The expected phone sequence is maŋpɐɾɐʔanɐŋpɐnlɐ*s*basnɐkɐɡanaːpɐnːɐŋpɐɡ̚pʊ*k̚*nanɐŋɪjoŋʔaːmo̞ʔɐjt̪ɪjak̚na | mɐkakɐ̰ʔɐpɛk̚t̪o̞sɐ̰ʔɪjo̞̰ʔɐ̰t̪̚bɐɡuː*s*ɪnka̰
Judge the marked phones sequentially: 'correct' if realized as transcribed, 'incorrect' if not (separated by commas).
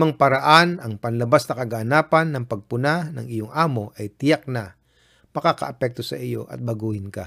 incorrect, incorrect, incorrect